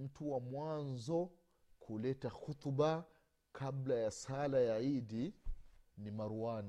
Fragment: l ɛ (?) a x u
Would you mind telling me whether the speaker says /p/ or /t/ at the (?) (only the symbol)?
t